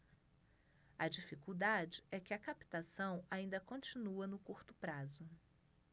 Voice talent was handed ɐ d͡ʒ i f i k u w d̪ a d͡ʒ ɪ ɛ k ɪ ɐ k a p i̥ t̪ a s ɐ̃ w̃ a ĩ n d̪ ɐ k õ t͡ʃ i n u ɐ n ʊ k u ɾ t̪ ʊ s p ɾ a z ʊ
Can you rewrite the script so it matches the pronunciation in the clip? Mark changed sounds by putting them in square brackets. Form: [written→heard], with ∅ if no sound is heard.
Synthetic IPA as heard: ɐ d͡ʒ i f i k u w d̪ a d͡ʒ ɪ ɛ k ɪ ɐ k a p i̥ t̪ a s ɐ̃ w̃ a ĩ n d̪ ɐ k õ t͡ʃ i n u ɐ n ʊ k u ɾ t̪ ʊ [s→∅] p ɾ a z ʊ